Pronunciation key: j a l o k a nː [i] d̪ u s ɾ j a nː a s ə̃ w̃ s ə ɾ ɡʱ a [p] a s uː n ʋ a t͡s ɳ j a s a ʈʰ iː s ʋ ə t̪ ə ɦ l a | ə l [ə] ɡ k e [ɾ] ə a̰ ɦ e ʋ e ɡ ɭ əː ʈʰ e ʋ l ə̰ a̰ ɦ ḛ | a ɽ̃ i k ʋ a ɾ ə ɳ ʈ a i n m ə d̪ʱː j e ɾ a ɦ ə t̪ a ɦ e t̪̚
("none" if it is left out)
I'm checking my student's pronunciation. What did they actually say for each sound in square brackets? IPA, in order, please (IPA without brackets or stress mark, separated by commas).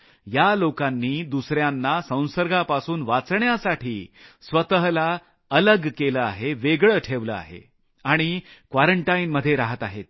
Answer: iː, p, ə, l